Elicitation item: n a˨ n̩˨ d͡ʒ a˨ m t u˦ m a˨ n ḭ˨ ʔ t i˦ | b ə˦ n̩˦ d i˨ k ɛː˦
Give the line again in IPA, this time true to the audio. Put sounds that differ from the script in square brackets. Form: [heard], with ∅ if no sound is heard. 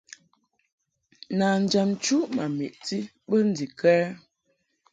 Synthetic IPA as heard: n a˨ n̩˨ d͡ʒ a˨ m [t͡ʃ] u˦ m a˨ [m] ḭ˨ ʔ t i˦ | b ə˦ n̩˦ d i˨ k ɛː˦